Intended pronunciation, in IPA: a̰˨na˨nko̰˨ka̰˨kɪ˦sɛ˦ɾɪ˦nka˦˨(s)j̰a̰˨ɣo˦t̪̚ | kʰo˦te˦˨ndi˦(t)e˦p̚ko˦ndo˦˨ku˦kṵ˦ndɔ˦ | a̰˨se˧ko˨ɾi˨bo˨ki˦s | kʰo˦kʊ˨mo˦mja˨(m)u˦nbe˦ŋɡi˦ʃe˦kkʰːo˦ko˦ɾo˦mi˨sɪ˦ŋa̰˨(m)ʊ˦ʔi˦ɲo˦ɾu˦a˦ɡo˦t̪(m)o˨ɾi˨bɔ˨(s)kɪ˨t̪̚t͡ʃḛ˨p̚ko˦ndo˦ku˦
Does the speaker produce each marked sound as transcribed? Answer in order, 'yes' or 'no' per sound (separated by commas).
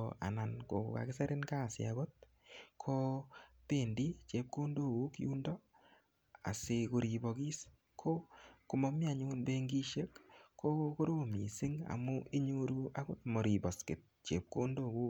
yes, no, no, yes, yes, yes